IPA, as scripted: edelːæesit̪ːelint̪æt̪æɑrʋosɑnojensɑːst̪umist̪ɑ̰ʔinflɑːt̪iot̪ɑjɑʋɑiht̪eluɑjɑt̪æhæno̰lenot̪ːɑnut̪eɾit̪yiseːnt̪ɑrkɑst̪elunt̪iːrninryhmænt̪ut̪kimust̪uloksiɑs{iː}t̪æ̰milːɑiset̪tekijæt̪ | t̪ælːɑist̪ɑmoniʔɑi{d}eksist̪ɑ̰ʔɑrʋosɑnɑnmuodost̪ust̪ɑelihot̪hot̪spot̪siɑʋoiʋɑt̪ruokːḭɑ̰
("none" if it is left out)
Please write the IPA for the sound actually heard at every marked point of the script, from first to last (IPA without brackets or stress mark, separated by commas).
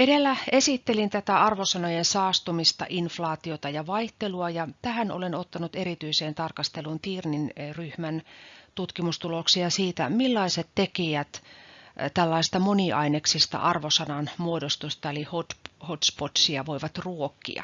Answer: iː, n